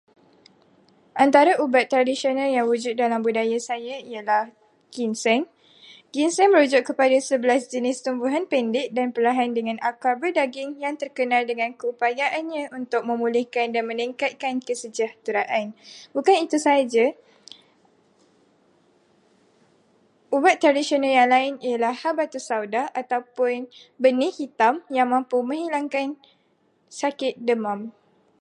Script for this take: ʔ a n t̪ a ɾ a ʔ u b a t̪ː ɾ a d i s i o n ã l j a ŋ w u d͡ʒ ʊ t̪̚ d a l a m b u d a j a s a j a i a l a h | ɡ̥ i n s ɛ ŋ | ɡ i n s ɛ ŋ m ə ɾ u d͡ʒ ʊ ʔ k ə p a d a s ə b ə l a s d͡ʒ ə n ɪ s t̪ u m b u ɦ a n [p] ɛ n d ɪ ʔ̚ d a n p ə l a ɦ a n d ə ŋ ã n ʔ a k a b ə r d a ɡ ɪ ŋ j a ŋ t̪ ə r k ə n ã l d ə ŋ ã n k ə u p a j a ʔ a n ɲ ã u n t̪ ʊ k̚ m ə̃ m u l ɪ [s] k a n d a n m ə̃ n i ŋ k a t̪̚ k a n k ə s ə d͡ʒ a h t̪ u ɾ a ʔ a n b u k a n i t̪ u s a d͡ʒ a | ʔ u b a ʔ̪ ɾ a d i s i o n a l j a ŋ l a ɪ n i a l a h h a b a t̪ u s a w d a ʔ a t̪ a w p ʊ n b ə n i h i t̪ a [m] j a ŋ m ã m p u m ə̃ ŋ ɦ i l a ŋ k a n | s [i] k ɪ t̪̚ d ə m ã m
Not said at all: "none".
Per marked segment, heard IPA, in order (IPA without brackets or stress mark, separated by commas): p, h, m, a